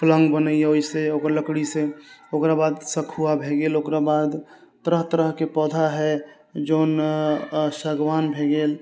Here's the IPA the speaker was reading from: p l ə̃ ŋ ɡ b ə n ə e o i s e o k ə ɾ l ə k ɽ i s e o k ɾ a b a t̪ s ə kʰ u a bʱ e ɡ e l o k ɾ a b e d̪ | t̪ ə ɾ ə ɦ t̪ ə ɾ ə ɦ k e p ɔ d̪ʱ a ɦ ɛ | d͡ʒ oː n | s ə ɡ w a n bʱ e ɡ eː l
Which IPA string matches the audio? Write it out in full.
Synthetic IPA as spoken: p l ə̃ ŋ ɡ b ə n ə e o i s e o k ə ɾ l ə k ɽ i s e o k ɾ a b a d̪ s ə kʰ u a bʱ e ɡ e l o k ɾ a b a d̪ | t̪ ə ɾ ə ɦ t̪ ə ɾ ə ɦ k e p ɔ d̪ʱ a ɦ ɛ | d͡ʒ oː n | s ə ɡ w a n bʱ e ɡ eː l

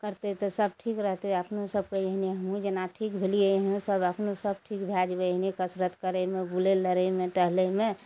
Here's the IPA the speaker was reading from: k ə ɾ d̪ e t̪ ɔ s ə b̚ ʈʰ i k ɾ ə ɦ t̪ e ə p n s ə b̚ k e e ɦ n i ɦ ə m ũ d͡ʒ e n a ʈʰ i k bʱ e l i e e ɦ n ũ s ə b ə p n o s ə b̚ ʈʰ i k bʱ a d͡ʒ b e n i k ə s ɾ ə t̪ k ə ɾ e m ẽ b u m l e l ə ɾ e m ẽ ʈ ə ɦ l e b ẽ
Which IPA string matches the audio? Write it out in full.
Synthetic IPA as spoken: k ə ɾ t̪ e t̪ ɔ s ə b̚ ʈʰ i k ɾ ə ɦ t̪ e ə p n s ə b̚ k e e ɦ n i ɦ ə m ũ d͡ʒ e n a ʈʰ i k bʱ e l i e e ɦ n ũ s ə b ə p n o s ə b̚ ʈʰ i k bʱ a d͡ʒ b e n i k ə s ɾ ə t̪ k ə ɾ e m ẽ b u l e l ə ɾ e m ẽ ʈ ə ɦ l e m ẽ

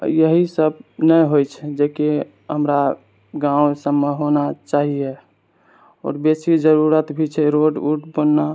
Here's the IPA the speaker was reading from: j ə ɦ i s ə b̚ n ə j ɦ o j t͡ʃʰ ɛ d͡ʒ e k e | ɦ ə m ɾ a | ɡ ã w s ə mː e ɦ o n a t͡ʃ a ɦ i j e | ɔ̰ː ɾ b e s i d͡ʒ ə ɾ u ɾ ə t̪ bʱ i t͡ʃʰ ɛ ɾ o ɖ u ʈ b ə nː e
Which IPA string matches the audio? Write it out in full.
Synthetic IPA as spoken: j ə ɦ i s ə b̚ n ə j ɦ o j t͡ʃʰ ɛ d͡ʒ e k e | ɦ ə m ɾ a | ɡ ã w s ə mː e ɦ o n a t͡ʃ a ɦ i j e | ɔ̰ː ɾ b e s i d͡ʒ ə ɾ u ɾ ə t̪ bʱ i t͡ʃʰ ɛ ɾ o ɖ u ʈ b ə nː a

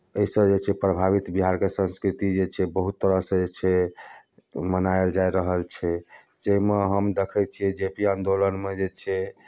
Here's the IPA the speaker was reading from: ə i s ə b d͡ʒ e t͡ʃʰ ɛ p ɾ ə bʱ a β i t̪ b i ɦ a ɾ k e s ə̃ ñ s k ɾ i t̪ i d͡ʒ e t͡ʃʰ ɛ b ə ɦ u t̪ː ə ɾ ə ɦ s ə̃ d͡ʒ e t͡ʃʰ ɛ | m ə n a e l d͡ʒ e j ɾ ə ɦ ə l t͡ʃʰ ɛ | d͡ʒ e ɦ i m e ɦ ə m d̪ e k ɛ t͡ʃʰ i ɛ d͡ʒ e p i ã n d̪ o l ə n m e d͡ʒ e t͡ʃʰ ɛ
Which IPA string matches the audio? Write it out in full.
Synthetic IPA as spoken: ə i s ə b d͡ʒ e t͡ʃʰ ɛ p ɾ ə bʱ a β i t̪ b i ɦ a ɾ k e s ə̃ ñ s k ɾ i t̪ i d͡ʒ e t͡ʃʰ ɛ b ə ɦ u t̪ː ə ɾ ə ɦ s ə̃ d͡ʒ e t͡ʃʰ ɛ | m ə n a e l d͡ʒ a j ɾ ə ɦ ə l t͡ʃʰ ɛ | d͡ʒ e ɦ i m e ɦ ə m d̪ e kʰ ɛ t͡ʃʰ i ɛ d͡ʒ e p i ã n d̪ o l ə n m e d͡ʒ e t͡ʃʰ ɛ

